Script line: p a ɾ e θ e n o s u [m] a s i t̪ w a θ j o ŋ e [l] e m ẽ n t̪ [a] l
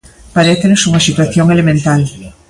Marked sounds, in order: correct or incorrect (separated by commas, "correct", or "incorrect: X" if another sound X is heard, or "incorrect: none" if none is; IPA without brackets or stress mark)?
incorrect: ŋ, correct, correct